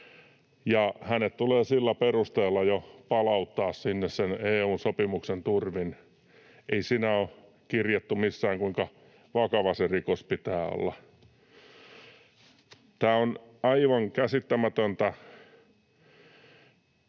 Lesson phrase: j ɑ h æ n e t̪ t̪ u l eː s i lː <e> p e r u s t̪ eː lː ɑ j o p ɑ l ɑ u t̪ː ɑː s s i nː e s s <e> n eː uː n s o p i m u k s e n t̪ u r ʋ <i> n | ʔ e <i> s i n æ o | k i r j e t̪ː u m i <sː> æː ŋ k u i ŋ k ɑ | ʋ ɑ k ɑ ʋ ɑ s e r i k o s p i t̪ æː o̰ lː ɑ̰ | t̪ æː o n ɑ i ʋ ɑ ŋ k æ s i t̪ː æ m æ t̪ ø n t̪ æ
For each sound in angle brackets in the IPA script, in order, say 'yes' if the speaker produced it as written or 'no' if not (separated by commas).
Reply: no, yes, yes, yes, yes